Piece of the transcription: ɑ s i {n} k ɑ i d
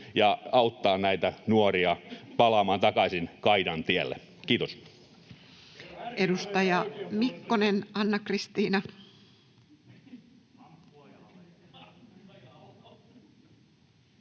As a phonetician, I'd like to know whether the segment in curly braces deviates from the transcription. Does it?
no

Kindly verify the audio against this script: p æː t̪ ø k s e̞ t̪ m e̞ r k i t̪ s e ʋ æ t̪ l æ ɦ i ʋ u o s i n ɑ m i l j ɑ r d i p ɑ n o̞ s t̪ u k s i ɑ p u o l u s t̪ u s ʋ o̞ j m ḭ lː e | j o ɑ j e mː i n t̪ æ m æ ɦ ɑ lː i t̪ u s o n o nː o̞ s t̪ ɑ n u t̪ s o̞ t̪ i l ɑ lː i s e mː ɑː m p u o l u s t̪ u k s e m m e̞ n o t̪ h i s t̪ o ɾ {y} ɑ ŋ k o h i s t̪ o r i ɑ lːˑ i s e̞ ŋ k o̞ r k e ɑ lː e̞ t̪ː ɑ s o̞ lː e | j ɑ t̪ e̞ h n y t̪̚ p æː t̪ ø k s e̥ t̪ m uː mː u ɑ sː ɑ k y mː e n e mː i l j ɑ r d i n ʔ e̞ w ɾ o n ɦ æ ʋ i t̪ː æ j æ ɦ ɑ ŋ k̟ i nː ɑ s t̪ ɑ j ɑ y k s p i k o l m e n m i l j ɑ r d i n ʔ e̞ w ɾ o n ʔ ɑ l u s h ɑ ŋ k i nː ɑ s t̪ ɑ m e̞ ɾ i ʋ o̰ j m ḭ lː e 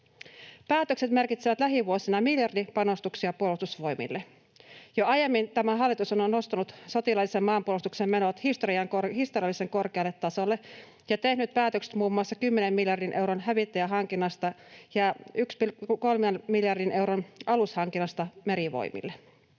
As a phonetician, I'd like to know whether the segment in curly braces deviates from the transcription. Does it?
yes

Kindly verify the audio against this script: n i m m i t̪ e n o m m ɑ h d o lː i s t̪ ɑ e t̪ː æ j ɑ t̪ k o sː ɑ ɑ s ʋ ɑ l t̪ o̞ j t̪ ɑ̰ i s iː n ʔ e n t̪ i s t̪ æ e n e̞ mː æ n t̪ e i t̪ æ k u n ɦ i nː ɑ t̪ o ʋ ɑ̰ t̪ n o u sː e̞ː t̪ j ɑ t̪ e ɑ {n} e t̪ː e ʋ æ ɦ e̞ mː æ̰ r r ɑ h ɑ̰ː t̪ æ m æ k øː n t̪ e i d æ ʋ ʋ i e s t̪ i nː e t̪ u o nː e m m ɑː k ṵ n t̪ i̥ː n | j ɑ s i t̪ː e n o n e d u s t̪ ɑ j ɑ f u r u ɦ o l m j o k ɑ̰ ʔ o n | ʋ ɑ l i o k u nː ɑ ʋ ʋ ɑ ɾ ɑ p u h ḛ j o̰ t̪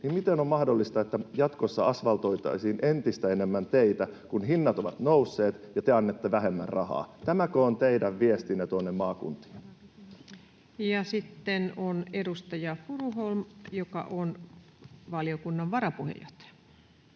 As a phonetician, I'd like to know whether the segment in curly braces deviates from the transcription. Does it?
yes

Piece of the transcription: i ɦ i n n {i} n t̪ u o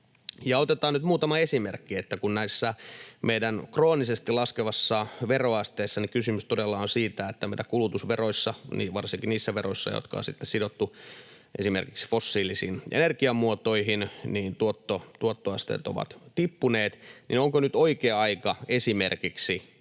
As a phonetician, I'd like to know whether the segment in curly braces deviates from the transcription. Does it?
yes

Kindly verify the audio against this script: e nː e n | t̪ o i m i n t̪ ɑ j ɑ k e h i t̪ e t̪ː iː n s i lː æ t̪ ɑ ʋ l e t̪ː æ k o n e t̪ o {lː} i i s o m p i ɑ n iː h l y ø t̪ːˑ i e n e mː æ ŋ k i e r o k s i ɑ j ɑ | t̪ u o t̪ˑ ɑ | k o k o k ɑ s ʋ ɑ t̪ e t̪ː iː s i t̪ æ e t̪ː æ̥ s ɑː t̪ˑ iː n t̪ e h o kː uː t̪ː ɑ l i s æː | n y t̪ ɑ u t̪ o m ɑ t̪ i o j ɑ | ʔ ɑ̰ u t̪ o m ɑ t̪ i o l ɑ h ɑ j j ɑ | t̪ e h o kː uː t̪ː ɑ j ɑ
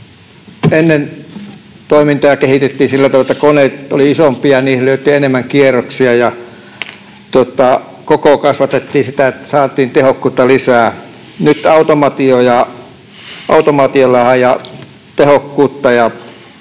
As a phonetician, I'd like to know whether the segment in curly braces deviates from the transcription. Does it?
yes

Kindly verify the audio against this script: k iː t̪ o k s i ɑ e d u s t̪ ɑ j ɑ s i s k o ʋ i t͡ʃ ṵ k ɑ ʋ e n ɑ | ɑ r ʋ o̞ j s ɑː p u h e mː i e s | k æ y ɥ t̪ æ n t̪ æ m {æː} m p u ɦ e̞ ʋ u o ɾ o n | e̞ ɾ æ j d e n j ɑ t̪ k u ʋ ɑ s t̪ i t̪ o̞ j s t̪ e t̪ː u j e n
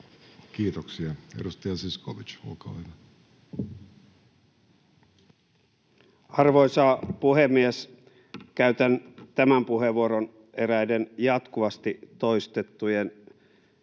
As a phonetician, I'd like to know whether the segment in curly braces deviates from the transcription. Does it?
yes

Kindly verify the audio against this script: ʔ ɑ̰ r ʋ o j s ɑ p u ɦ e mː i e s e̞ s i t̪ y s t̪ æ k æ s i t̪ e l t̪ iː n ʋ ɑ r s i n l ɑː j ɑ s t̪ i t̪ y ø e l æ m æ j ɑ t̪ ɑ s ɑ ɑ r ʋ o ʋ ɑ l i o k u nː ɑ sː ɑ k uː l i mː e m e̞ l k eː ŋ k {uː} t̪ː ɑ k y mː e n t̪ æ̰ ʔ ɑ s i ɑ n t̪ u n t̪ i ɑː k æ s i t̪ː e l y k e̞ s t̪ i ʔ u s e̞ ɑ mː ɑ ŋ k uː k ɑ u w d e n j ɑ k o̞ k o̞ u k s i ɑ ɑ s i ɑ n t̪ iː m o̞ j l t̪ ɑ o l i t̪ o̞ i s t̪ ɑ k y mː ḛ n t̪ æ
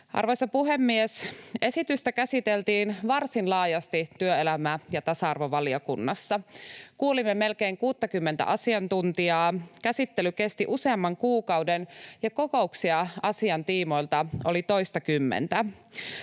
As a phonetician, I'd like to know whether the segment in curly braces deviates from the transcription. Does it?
no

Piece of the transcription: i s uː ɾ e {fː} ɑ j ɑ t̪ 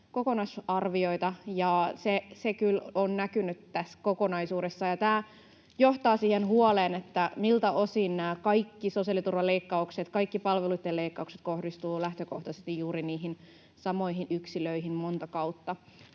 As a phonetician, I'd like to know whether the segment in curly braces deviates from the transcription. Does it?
yes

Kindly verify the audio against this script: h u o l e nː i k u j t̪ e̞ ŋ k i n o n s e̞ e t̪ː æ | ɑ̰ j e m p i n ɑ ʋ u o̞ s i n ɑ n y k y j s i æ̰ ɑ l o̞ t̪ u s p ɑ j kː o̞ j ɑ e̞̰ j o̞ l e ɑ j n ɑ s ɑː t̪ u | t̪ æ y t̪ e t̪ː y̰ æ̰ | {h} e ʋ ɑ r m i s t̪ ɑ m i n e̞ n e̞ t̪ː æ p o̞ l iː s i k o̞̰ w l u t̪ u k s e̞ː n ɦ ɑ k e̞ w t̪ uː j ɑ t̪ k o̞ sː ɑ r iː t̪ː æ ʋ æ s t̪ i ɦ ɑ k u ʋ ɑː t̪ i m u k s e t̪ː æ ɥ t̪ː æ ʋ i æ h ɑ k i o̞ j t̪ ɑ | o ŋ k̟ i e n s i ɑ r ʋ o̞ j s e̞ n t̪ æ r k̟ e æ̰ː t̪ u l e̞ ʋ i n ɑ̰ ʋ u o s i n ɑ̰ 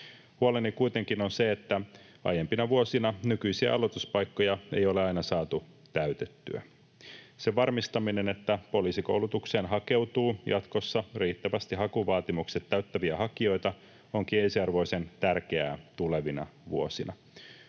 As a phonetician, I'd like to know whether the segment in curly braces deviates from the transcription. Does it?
yes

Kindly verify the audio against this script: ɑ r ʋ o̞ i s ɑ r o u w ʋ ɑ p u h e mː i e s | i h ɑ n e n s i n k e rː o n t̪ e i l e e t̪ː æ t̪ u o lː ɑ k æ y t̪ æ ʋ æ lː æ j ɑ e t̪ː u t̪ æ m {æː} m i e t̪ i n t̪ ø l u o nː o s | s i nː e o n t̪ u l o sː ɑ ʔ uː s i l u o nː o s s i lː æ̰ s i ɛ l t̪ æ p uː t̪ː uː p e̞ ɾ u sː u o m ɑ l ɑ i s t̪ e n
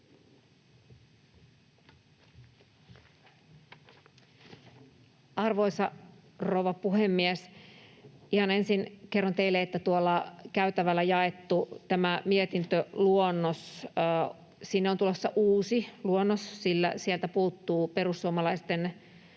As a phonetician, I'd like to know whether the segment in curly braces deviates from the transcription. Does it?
yes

